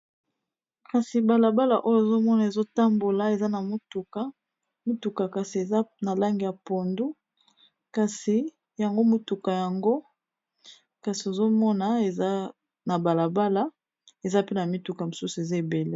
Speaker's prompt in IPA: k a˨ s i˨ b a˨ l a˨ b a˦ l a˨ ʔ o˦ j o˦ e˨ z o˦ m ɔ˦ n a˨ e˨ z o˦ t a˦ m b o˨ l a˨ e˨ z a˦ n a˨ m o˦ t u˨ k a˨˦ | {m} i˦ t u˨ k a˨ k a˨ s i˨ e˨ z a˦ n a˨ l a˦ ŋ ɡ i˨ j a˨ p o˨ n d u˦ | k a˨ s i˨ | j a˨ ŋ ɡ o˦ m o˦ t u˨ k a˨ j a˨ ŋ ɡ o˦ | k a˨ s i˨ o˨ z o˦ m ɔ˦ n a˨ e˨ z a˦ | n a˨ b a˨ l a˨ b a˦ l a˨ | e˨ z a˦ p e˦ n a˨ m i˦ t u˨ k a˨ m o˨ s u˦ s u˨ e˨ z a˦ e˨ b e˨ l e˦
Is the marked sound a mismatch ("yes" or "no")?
no